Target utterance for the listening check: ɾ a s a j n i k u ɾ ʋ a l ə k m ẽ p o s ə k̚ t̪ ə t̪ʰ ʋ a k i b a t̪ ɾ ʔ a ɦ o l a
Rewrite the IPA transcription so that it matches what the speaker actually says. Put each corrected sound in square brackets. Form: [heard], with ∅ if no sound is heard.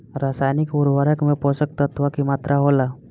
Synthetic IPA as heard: ɾ a s a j n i k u ɾ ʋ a [ɾ] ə k m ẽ p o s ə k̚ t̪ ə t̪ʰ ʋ a k i [m] a t̪ ɾ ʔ a ɦ o l a